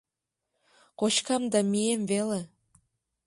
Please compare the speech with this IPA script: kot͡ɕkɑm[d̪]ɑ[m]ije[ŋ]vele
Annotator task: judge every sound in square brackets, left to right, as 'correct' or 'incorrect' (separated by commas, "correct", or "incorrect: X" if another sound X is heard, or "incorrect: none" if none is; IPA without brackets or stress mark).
correct, correct, incorrect: m